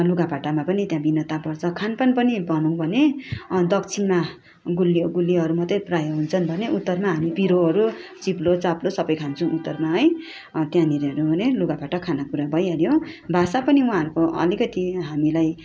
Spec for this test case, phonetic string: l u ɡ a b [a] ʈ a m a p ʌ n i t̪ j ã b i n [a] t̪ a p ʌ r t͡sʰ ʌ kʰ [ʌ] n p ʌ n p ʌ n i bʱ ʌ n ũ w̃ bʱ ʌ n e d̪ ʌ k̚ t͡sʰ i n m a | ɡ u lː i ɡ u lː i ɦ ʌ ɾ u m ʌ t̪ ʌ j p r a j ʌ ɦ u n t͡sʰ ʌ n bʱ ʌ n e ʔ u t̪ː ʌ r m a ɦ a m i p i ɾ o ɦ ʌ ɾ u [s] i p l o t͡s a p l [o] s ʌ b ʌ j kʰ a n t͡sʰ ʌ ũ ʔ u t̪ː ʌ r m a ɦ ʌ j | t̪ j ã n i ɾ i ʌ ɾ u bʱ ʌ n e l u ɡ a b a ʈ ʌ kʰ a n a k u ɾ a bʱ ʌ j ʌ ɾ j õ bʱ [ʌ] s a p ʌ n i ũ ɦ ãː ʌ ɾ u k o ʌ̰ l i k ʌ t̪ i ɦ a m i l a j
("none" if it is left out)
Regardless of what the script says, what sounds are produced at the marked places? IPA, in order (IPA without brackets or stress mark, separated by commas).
a, ʌ, a, t͡s, o, a